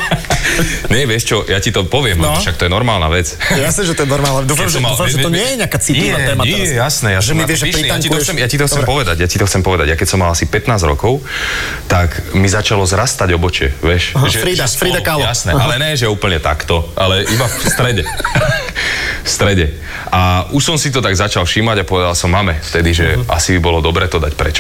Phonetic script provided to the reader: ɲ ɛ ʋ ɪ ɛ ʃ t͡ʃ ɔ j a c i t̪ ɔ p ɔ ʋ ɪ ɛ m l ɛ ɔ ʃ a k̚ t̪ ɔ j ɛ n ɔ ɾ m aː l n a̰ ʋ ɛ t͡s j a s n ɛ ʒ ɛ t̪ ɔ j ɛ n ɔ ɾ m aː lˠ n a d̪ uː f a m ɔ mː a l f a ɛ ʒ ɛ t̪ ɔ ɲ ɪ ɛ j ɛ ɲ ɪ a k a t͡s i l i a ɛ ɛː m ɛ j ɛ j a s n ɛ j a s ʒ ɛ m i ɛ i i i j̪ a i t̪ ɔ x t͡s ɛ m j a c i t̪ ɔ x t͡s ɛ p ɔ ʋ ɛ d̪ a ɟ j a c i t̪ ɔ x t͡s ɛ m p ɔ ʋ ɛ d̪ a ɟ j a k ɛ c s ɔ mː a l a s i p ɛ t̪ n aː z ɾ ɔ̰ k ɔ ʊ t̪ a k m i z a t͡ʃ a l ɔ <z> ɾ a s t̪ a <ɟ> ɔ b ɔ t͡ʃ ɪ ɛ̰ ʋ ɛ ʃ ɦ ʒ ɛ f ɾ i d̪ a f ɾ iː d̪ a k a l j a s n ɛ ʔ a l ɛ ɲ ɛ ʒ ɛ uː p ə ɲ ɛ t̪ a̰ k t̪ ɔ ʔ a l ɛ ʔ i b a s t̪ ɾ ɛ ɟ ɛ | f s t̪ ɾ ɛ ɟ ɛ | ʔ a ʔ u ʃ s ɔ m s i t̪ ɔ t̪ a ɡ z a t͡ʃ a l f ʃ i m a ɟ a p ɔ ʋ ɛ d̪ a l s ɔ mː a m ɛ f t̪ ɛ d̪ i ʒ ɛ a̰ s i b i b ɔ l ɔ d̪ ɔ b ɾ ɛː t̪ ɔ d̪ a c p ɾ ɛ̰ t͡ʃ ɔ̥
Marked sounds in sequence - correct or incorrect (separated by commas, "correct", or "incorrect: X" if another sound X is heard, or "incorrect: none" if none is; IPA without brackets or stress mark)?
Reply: correct, correct